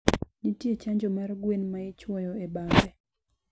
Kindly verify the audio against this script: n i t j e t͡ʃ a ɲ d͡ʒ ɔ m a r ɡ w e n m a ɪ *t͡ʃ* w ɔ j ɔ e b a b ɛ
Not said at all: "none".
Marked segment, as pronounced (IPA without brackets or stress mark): t͡ʃ